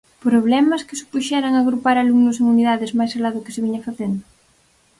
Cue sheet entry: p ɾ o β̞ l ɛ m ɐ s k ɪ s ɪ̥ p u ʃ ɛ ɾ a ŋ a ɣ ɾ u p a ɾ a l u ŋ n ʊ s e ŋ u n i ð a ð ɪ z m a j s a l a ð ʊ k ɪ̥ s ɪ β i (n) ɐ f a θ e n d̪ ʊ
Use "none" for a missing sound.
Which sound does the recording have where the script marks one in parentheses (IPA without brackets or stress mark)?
ɲ